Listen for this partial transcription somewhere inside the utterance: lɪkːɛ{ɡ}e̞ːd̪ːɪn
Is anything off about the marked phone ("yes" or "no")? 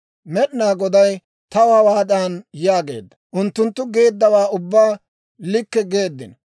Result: no